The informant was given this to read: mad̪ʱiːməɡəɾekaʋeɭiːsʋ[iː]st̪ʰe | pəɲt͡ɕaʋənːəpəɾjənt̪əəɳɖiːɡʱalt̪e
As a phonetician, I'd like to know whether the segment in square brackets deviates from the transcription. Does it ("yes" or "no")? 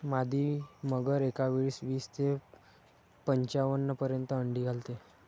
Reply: no